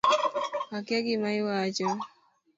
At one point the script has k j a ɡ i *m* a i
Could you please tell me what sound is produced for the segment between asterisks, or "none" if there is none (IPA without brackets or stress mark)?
m